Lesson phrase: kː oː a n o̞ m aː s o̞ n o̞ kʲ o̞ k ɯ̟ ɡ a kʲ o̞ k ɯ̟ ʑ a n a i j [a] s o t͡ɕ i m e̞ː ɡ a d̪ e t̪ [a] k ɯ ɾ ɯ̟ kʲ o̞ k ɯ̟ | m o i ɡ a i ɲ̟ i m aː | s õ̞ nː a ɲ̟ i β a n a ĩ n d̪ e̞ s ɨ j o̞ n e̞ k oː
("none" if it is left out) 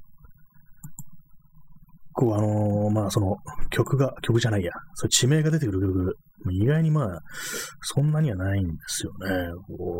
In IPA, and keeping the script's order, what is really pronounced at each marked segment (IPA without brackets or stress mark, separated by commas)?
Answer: a, e